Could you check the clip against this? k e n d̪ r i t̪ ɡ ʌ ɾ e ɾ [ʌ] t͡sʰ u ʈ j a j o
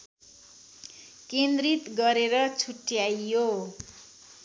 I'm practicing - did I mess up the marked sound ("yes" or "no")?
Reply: no